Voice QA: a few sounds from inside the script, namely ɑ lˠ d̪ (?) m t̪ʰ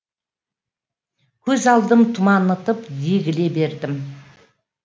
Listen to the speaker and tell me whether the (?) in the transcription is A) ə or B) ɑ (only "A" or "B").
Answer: A